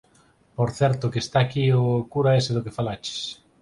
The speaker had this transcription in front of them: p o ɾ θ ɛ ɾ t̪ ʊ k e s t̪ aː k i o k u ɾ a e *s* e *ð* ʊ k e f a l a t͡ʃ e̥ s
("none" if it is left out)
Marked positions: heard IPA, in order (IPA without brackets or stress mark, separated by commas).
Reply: s, ð